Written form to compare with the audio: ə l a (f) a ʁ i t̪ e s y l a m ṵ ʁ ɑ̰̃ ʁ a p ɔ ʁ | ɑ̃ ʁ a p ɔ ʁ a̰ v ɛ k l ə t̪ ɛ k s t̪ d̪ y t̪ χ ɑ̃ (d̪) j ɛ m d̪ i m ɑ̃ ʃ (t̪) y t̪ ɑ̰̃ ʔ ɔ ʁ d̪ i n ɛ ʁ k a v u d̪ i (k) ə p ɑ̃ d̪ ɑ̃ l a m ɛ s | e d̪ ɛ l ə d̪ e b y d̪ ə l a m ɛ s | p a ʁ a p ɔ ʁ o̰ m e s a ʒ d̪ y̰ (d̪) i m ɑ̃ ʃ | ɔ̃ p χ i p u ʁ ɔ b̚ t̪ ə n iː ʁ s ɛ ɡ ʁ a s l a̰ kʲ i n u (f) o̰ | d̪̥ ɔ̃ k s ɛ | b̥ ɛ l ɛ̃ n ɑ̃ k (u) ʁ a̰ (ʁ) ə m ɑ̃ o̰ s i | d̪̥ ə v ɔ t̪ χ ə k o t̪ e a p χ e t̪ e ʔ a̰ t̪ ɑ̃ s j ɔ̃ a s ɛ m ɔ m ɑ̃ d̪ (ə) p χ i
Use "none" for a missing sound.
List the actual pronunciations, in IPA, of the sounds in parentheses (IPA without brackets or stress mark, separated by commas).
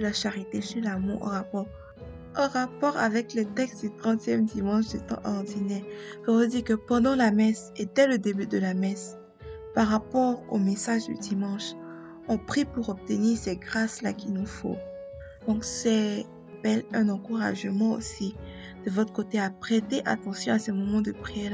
ʃ, t̪, d̪, k, d̪, f, u, ʒ, ə